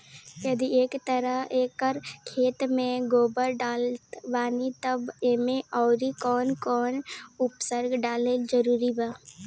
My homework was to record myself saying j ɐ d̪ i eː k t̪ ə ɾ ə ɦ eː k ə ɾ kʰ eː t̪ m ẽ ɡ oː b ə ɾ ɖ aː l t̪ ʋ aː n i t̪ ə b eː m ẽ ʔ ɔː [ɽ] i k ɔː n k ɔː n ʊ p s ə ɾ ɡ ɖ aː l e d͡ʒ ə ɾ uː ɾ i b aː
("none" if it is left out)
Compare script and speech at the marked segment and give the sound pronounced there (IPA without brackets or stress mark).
ɾ